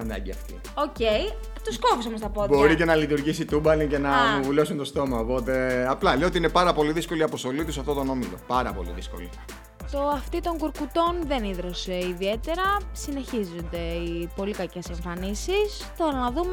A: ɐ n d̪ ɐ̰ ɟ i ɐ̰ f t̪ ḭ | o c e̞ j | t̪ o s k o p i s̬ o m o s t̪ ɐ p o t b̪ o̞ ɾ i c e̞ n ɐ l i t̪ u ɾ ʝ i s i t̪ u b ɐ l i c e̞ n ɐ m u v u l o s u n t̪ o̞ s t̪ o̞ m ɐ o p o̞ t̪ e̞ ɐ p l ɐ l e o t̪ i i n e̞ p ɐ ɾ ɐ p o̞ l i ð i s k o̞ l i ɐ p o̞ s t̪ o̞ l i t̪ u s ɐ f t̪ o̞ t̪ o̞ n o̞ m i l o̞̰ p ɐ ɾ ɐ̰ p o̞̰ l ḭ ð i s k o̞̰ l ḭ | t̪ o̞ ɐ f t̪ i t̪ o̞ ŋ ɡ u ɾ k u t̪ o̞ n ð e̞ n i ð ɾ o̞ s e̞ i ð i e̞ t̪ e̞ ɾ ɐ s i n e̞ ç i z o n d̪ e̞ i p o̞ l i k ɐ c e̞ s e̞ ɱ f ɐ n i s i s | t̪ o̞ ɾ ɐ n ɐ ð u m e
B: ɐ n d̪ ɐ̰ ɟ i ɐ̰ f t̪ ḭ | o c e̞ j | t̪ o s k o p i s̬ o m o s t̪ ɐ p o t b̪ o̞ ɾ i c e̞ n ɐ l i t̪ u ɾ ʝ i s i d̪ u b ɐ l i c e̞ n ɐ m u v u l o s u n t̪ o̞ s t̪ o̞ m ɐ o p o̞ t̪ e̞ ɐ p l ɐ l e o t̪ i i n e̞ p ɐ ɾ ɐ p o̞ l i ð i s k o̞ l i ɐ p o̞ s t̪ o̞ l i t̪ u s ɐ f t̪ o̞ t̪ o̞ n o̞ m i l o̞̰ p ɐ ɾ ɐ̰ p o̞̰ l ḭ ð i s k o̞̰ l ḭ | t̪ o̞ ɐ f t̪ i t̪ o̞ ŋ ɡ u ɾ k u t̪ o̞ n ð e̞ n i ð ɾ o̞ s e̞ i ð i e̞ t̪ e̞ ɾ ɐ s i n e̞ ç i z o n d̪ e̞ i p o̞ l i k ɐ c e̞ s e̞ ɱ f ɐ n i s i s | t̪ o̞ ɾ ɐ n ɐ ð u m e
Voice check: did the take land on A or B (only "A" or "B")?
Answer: A